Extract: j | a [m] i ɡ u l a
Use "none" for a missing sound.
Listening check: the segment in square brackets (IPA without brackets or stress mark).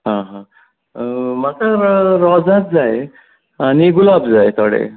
n